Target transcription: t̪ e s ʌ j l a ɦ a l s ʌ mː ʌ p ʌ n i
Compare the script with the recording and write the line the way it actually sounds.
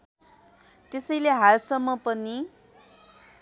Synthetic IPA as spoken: t̪ e s ʌ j l e ɦ a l s ʌ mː ʌ p ʌ n i